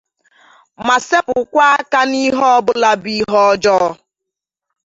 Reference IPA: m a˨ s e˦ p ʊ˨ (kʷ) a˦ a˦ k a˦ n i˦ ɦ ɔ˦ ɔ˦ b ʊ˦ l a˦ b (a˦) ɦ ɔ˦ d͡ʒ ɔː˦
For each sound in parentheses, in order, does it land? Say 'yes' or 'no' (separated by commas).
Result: yes, no